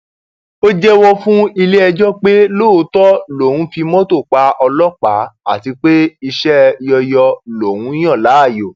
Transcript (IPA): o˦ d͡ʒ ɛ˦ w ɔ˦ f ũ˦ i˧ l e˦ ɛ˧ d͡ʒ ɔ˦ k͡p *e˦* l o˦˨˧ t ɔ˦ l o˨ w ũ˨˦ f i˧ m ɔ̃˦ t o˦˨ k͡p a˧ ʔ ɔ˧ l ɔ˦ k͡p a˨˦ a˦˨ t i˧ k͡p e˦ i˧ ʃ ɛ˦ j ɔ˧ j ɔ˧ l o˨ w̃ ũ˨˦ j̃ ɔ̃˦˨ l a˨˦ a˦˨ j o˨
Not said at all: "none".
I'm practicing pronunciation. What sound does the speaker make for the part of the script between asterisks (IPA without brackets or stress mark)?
e˦